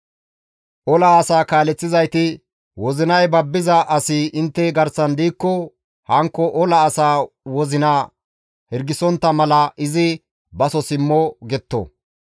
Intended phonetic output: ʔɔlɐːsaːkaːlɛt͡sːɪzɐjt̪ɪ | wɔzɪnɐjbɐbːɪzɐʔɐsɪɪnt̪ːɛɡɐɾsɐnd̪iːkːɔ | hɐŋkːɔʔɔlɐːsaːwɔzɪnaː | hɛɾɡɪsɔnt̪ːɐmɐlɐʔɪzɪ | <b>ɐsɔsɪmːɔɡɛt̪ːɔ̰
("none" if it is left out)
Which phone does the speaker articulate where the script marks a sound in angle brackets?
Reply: b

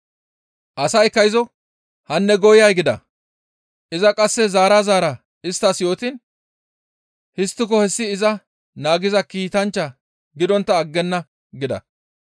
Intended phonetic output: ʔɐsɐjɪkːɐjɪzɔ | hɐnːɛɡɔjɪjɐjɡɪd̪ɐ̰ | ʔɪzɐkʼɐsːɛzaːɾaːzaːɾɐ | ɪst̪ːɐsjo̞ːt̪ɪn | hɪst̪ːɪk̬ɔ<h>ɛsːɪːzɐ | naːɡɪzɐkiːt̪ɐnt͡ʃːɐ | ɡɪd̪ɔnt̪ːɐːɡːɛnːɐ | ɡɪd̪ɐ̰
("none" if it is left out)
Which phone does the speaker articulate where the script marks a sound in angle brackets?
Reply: h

